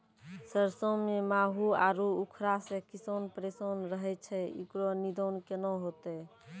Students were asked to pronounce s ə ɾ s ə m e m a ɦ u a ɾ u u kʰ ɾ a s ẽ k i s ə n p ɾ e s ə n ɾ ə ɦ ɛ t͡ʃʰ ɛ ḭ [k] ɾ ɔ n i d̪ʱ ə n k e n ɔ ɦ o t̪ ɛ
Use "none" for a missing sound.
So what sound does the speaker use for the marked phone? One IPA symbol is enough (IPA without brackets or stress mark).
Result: k